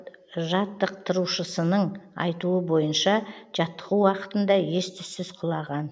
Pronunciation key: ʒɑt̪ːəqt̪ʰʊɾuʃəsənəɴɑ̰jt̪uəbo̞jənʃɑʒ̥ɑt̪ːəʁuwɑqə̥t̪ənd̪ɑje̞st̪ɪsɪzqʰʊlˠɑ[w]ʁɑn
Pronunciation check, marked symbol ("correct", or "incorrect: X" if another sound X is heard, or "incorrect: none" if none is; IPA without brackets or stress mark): incorrect: none